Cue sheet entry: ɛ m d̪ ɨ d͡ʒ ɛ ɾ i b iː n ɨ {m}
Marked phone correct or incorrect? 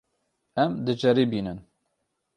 incorrect